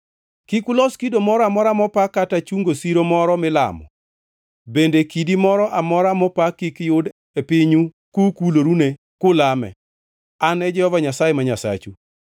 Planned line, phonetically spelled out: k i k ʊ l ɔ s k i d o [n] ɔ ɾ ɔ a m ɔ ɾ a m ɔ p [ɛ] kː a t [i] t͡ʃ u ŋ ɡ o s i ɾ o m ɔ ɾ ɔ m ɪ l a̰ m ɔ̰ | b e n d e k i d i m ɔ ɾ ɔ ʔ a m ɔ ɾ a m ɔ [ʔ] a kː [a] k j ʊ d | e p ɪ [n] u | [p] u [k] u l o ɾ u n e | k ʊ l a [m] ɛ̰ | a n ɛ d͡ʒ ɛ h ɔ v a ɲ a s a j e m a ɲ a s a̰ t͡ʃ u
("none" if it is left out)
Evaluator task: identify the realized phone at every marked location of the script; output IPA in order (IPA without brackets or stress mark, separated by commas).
m, a, a, p, i, ɲ, k, k, m